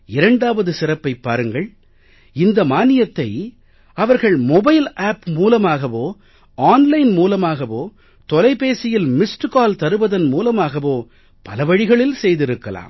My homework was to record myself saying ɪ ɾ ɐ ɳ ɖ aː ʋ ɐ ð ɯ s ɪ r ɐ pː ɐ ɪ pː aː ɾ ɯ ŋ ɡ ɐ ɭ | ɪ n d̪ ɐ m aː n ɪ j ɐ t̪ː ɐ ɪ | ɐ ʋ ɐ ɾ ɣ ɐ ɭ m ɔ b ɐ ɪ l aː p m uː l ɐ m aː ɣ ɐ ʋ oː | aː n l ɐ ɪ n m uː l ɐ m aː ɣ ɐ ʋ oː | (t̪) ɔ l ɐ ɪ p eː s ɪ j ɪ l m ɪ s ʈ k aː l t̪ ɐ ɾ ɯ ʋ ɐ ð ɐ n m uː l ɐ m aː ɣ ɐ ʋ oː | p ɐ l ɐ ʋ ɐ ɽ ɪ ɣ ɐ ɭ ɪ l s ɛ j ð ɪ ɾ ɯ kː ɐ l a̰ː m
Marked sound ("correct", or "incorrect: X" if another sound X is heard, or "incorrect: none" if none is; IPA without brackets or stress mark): correct